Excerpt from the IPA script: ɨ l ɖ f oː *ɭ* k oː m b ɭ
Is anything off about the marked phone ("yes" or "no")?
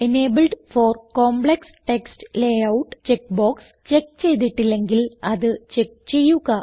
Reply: yes